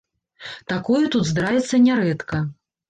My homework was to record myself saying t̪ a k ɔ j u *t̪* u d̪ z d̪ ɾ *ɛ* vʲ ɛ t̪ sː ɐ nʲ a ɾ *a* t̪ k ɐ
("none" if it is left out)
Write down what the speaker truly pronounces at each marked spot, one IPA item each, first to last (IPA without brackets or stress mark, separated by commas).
t̪, a, ɛ